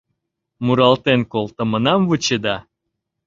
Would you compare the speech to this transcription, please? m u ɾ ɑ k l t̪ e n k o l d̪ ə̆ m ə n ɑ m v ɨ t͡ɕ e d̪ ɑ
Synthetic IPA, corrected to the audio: m u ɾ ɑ l t̪ e n k o l t̪ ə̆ m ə n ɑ m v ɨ t͡ɕ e d̪ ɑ

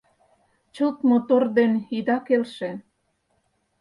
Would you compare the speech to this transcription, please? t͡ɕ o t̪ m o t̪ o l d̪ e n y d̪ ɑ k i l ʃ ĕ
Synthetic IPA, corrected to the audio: t͡ɕ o t̪ m o t̪ o r d̪ e n i d̪ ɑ k e l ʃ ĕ

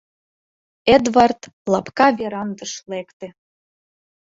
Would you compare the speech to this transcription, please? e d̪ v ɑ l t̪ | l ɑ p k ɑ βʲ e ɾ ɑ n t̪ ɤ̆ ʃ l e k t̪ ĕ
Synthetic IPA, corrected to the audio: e d̪ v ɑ r t̪ | l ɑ p k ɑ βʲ e ɾ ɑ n d̪ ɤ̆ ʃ l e k t̪ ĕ

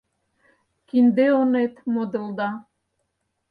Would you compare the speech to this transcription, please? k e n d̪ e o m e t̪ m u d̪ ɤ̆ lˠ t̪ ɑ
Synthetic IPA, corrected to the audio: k i n d̪ e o n e t̪ m o d̪ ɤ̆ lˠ d̪ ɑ

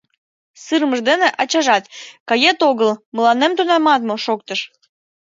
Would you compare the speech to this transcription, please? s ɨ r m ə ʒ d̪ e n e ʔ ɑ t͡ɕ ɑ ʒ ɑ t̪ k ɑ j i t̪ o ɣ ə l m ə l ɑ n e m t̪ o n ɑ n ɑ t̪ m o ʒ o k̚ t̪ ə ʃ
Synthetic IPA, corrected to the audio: s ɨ r m ə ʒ d̪ e n e ʔ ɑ t͡ɕ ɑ ʒ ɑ t̪ k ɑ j e t̪ o ɣ ə l m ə l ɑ n e m t̪ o n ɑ m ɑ t̪ m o ʃ o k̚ t̪ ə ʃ

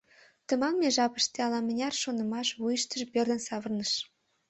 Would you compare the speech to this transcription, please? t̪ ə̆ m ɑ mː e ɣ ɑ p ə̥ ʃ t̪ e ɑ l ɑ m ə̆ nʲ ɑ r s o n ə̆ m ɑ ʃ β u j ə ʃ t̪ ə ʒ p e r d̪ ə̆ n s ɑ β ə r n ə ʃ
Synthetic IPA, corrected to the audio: t̪ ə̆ m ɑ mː e ʒ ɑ p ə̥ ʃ t̪ e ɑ l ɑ m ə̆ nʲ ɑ r ʃ o n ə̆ m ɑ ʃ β u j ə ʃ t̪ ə ʒ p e r d̪ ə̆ n s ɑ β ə r n ə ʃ

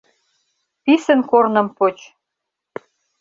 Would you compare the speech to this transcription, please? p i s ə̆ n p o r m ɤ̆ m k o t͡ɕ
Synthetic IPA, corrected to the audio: p i s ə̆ n k o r n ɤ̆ m p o t͡ɕ

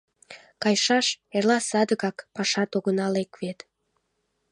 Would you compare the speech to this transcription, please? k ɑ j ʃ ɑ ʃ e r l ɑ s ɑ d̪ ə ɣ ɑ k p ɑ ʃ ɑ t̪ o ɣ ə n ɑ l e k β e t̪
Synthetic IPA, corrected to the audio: k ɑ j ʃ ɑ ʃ e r l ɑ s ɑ d̪ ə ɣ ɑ k p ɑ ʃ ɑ t̪ o ɣ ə n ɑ l e k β e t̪

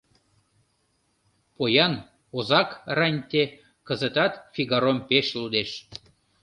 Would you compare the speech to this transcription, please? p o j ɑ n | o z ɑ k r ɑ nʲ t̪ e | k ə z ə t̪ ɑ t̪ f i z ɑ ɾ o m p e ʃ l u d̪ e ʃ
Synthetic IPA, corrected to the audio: p o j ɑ n | o z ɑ k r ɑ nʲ t̪ e | k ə z ə t̪ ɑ t̪ f i ɣ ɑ ɾ o m p e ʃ l u d̪ e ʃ

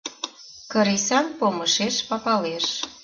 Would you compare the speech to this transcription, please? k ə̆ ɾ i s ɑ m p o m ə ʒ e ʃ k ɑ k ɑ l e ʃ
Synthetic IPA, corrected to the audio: k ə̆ ɾ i s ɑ n p o m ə ʃ e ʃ p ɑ p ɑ l e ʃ

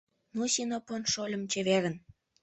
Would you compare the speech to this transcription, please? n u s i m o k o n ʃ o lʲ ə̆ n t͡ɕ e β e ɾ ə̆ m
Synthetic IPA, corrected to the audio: n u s i n o p o n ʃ o lʲ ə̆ m t͡ɕ e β e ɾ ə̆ n

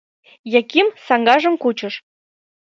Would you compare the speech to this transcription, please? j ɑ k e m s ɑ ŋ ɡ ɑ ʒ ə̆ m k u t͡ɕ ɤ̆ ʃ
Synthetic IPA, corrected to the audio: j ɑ k i m s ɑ ŋ ɡ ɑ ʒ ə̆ m k u t͡ɕ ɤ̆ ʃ

